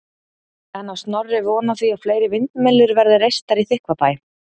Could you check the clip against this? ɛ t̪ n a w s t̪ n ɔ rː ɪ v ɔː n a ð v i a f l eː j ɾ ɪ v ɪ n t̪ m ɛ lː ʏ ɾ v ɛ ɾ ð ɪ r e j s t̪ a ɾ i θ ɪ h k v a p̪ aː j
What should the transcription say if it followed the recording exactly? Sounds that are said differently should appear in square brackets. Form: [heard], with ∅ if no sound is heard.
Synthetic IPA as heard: ɛ [∅] n a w s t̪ n ɔ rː ɪ v ɔː n a [θ] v i a f l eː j ɾ ɪ v ɪ n t̪ m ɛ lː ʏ ɾ v ɛ ɾ ð ɪ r e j s t̪ a ɾ i θ ɪ h k v a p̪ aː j